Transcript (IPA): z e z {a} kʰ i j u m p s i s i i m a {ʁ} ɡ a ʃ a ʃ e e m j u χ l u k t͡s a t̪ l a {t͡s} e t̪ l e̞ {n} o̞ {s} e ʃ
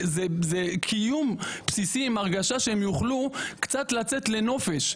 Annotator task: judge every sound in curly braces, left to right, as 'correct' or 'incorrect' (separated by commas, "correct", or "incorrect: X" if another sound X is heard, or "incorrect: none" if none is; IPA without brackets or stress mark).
incorrect: e, correct, correct, correct, incorrect: f